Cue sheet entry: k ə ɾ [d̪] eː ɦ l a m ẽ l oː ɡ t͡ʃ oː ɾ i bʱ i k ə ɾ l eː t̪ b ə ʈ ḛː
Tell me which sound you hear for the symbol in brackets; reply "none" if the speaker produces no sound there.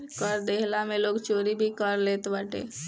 d̪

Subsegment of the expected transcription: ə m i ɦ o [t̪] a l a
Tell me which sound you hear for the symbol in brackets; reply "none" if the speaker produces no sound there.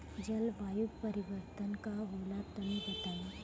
t̪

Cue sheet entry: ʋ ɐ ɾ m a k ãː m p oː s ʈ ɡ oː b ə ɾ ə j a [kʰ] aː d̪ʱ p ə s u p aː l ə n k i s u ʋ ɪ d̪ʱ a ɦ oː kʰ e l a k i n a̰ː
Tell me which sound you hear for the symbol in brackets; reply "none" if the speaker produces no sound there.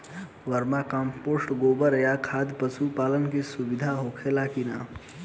kʰ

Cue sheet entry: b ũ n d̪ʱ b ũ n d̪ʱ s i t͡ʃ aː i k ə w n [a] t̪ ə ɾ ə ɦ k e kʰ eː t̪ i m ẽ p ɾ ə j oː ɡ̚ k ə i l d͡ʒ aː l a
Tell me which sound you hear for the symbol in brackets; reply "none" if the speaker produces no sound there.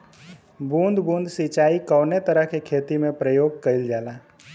e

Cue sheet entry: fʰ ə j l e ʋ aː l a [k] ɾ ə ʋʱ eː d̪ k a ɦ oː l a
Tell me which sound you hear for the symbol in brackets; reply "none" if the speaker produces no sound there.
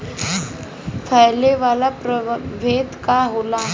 p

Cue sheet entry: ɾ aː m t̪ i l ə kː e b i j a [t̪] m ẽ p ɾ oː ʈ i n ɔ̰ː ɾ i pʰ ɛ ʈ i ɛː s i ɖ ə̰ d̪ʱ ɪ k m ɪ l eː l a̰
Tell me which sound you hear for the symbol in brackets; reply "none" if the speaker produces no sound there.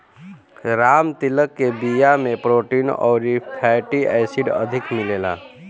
none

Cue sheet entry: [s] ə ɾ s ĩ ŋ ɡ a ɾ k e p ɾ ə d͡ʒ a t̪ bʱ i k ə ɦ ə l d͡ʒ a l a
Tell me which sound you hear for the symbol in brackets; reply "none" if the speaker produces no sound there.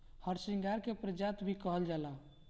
h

